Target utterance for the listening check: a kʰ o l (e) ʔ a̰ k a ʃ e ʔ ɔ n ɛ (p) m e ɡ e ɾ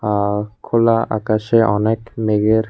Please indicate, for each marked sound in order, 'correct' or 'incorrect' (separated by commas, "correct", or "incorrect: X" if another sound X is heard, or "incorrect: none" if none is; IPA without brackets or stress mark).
incorrect: a, incorrect: k